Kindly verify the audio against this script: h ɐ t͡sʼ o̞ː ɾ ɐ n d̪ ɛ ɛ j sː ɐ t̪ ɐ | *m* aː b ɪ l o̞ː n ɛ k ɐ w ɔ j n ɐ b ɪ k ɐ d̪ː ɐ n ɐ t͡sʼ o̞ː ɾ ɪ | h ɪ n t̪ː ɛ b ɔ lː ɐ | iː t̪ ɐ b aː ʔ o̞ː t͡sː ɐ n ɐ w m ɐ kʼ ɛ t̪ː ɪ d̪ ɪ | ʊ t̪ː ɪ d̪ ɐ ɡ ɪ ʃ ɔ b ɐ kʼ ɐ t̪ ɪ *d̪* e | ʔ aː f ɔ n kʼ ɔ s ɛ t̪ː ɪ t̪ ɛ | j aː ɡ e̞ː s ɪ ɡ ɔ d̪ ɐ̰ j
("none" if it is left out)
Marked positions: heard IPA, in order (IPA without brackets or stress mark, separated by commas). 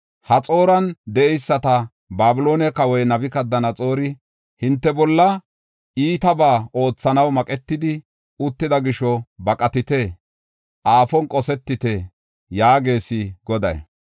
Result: b, t̪